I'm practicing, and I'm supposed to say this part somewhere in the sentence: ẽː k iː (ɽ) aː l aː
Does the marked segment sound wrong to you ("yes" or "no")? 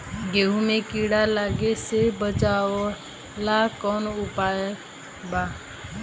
no